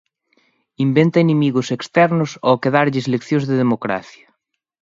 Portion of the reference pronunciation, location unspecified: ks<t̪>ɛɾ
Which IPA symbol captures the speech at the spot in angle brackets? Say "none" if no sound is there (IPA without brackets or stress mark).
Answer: t̪